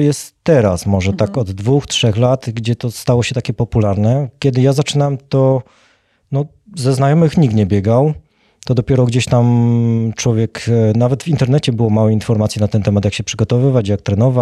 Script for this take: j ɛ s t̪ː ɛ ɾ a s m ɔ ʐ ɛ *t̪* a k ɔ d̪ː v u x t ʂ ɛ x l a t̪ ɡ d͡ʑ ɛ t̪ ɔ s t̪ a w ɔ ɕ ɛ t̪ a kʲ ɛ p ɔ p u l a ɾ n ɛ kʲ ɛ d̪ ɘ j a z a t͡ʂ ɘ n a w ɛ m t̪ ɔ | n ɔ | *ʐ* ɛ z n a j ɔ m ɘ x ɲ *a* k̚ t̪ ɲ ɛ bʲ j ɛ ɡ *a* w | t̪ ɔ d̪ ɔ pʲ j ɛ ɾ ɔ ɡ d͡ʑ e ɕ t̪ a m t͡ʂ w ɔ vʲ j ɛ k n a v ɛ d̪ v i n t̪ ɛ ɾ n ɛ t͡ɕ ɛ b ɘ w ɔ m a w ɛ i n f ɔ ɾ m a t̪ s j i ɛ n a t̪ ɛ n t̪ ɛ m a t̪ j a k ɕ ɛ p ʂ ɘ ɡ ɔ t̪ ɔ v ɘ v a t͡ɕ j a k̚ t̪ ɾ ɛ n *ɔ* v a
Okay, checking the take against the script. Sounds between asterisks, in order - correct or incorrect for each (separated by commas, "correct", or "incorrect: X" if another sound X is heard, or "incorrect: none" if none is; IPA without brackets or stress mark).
correct, incorrect: z, incorrect: i, correct, correct